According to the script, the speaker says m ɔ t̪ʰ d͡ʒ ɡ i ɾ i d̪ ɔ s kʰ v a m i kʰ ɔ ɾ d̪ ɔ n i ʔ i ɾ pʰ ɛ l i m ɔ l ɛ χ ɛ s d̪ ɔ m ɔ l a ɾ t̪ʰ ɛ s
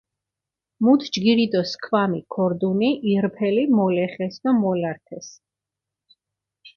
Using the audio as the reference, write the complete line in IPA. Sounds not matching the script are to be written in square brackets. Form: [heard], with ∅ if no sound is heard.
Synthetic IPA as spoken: m [u] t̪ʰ d͡ʒ ɡ i ɾ i d̪ ɔ s kʰ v a m i kʰ ɔ ɾ d̪ [u] n i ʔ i ɾ pʰ ɛ l i m ɔ l ɛ χ ɛ s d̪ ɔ m ɔ l a ɾ t̪ʰ ɛ s